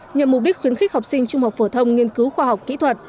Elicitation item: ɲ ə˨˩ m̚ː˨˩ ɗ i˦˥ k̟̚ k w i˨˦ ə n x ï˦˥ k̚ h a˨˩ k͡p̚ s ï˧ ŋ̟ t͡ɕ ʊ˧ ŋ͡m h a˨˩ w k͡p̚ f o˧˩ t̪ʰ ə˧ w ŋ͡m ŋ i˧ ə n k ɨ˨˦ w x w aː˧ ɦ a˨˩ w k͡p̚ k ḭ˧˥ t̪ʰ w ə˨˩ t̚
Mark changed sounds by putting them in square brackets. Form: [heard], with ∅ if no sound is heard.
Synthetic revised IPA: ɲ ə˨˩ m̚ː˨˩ ɗ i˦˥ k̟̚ [x] w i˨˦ ə n x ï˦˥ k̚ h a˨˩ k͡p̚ s ï˧ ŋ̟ t͡ɕ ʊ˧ ŋ͡m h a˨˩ w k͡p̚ f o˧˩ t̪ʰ ə˧ w ŋ͡m ŋ i˧ ə n k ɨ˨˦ w x w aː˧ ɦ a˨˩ w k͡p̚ k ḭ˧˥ t̪ʰ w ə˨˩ t̚